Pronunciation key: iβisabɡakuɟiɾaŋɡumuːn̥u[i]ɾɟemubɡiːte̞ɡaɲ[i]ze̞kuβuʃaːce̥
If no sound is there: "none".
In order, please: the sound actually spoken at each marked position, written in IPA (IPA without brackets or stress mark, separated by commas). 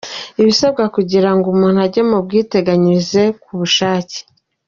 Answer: a, i